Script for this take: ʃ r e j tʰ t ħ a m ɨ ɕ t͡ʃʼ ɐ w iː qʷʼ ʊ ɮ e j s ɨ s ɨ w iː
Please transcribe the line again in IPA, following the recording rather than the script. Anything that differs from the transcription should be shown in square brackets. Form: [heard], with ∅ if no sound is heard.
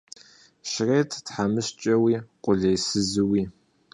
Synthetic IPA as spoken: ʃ r e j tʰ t ħ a m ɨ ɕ t͡ʃʼ ɐ w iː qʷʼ ʊ ɮ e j s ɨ [z] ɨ w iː